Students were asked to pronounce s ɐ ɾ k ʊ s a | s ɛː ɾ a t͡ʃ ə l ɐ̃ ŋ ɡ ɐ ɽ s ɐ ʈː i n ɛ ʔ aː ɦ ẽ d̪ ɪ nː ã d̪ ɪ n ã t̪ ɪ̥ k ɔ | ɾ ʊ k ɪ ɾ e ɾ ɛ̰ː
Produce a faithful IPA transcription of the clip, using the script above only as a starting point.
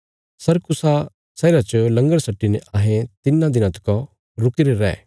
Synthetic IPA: s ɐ ɾ k ʊ s a | s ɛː ɾ a t͡ʃ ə l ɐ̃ ŋ ɡ ə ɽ s ɐ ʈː i n ɛ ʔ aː ɦ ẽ t̪ ɪ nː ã d̪ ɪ n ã t̪ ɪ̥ k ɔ | ɾ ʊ k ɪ ɾ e ɾ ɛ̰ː